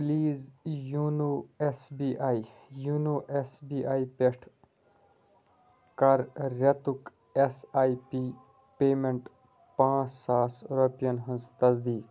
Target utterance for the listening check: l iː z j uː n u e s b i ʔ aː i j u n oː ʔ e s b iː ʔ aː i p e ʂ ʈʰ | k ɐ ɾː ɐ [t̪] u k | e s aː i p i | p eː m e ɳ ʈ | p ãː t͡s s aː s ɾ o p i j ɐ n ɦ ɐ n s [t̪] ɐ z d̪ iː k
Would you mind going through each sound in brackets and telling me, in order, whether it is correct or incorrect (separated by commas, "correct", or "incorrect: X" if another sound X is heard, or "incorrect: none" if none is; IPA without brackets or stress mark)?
correct, correct